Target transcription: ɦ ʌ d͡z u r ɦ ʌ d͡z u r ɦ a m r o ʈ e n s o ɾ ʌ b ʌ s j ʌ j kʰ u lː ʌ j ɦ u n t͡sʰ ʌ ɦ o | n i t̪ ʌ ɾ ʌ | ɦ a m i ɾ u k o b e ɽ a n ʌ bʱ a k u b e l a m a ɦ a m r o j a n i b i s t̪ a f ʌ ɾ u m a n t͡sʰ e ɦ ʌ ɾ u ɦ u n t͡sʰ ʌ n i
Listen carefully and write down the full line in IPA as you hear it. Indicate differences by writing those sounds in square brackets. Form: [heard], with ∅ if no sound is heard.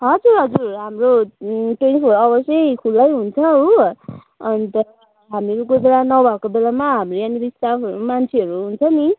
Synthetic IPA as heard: ɦ ʌ d͡z u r ɦ ʌ d͡z u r ɦ a m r o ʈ e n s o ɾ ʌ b ʌ s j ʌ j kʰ u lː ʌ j ɦ u n t͡sʰ ʌ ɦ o | n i t̪ ʌ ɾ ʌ | ɦ a m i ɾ u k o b e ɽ a n ʌ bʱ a k [o] b e l a m a ɦ a m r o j a n i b i s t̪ a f ʌ ɾ u m a n t͡sʰ e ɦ ʌ ɾ u ɦ u n t͡sʰ ʌ n i